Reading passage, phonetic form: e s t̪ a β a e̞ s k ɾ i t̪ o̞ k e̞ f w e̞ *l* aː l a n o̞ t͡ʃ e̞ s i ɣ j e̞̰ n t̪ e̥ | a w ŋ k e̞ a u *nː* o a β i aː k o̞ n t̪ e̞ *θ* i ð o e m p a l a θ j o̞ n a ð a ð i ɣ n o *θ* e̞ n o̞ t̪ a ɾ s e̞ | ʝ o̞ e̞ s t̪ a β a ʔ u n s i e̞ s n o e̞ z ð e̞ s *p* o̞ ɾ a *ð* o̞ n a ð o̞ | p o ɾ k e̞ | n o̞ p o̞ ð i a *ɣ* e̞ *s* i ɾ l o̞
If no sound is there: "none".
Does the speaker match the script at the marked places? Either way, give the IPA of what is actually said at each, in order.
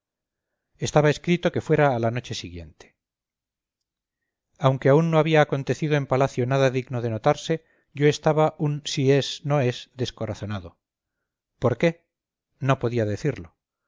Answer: ɾ, nː, θ, ð, k, θ, ð, θ

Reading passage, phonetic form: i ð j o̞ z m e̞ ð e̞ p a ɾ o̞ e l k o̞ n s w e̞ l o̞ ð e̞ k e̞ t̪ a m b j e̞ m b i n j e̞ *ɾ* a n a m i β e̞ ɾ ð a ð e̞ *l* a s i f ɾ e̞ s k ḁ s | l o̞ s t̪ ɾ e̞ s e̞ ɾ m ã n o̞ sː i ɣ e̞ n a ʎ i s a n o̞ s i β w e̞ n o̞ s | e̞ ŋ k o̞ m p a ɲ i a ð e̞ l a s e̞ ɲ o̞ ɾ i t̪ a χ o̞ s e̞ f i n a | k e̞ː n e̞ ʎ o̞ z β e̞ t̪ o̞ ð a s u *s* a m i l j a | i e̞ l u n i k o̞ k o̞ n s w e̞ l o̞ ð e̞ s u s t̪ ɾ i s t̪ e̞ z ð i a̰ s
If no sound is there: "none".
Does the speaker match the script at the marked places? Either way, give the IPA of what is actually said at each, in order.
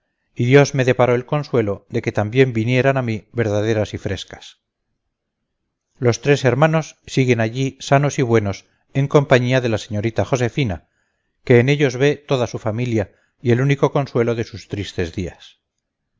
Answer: ɾ, ɾ, f

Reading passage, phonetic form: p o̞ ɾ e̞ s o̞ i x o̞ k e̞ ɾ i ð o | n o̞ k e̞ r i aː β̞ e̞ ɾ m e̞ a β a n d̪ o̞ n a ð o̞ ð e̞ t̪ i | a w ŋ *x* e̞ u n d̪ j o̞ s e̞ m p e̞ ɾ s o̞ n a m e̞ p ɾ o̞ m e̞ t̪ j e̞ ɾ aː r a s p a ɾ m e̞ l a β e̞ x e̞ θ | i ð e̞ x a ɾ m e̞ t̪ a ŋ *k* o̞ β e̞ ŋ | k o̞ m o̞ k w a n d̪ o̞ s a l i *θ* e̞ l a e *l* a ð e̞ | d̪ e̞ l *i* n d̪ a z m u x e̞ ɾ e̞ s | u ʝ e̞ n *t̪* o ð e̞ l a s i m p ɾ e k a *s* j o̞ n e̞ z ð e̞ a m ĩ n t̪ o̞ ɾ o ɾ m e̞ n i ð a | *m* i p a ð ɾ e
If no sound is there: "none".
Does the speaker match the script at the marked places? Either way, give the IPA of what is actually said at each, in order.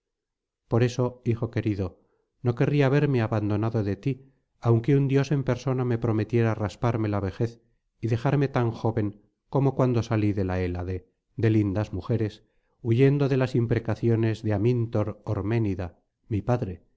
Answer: k, x, ð, l, i, d̪, θ, m

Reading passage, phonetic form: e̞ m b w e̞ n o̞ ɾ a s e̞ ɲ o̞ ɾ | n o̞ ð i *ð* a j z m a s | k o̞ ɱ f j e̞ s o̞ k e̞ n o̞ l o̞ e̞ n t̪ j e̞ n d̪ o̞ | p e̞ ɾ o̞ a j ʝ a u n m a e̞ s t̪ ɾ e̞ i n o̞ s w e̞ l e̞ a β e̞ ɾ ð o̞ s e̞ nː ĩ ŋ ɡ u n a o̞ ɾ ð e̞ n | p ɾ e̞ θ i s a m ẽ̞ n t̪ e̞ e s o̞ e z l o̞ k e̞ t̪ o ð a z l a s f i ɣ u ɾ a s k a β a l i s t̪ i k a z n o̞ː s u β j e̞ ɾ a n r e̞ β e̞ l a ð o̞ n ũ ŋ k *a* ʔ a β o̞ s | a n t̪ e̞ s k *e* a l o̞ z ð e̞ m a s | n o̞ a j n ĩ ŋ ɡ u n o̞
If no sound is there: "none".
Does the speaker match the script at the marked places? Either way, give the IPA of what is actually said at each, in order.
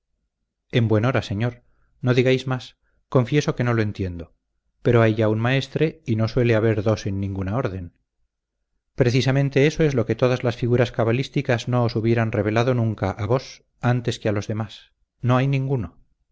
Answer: ɣ, a, e

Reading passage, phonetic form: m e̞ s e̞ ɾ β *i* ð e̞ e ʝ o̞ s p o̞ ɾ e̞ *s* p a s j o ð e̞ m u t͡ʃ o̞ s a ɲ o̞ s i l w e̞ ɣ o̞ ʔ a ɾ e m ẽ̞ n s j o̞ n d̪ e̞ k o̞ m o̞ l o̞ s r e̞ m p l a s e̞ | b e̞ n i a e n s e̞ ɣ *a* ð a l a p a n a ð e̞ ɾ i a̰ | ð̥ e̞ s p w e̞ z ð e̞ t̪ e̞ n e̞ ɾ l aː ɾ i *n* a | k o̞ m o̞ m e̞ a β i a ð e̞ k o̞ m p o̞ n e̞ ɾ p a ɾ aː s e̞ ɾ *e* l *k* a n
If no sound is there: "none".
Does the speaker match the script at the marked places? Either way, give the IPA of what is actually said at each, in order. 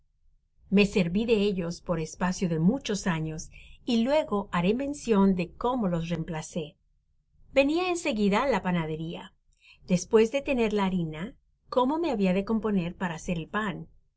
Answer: i, s, i, n, e, p

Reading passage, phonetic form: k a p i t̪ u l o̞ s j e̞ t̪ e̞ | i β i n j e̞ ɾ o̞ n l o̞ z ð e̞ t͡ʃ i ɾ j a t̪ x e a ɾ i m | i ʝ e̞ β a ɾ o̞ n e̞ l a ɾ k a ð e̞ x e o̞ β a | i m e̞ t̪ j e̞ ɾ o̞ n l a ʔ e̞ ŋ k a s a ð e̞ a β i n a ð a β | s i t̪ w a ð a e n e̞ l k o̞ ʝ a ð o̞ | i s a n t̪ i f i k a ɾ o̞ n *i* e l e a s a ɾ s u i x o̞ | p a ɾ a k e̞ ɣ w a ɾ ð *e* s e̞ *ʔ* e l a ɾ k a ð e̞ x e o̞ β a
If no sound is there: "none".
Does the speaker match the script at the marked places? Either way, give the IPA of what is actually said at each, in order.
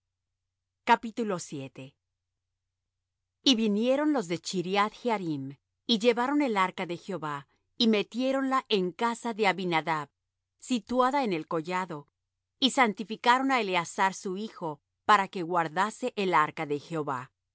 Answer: a, a, ʔ

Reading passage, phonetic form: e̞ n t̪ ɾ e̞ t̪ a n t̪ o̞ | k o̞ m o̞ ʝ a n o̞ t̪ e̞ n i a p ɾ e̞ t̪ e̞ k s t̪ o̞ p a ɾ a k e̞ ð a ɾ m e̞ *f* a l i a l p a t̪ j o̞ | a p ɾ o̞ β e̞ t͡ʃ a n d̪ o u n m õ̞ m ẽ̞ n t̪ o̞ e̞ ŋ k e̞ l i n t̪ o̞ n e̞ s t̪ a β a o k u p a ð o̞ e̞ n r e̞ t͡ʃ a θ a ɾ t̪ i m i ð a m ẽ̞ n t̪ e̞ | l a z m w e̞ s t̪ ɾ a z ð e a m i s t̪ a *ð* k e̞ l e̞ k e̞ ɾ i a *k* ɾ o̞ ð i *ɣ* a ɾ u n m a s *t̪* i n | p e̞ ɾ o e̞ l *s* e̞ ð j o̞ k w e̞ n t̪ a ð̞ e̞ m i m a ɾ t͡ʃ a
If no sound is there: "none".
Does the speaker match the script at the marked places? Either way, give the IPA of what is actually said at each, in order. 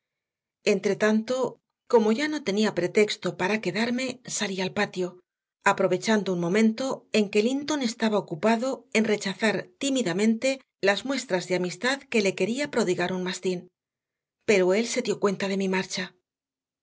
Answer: s, ð, p, ɣ, t̪, s

